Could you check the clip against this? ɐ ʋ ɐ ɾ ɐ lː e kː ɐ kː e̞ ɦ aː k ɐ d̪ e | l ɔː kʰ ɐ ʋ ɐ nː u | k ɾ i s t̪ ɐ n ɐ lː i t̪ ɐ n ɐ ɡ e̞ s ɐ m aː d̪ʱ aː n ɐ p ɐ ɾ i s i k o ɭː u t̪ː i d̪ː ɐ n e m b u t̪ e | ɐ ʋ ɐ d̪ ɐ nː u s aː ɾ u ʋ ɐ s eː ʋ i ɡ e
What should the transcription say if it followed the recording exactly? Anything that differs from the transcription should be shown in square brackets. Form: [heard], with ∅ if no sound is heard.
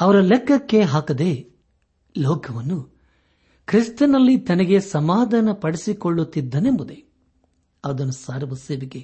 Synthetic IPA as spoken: ɐ ʋ ɐ ɾ ɐ [l] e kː ɐ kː e̞ ɦ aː k ɐ d̪ e | l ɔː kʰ ɐ ʋ ɐ nː u | k ɾ i s t̪ ɐ n ɐ lː i t̪ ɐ n ɐ ɡ e̞ s ɐ m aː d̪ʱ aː n ɐ p ɐ [ɽ] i s i k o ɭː u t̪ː i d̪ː ɐ n e m b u [d̪] e | ɐ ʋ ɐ d̪ ɐ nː u s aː ɾ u ʋ ɐ s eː ʋ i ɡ e